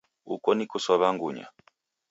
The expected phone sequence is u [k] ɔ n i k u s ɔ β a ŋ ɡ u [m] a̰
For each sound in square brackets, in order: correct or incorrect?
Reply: correct, incorrect: ɲ

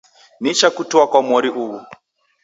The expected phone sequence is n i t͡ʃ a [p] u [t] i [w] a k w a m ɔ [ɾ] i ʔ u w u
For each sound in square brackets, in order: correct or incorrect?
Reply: incorrect: k, correct, correct, correct

